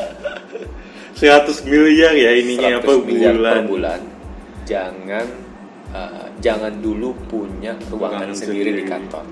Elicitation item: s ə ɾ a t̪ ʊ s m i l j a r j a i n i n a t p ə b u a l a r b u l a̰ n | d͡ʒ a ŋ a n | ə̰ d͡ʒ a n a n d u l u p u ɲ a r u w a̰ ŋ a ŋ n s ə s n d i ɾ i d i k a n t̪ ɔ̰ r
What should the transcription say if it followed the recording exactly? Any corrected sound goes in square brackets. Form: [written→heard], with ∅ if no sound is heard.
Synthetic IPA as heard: s ə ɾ a t̪ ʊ s m i l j a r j a i n i [n→ɲ] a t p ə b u a l a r b u l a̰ n | d͡ʒ a ŋ a n | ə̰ d͡ʒ a [n→ŋ] a n d u l u p u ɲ a r u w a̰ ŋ a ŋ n s ə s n d i ɾ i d i k a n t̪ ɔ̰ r